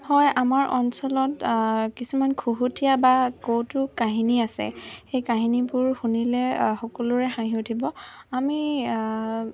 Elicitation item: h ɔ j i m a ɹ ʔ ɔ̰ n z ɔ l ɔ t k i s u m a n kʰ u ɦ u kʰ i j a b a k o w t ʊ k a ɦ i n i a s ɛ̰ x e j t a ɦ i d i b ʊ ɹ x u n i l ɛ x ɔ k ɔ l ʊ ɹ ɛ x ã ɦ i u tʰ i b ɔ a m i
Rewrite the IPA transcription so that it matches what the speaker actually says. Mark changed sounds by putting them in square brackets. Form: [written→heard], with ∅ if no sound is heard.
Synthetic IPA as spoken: h ɔ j [i→a] m a ɹ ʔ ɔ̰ n [z→s] ɔ l ɔ t k i s u m a n kʰ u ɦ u [kʰ→tʰ] i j a b a k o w t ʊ k a ɦ i n i a s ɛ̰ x e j [t→k] a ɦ i [d→n] i b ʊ ɹ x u n i l ɛ x ɔ k ɔ l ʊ ɹ ɛ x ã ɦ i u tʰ i b ɔ a m i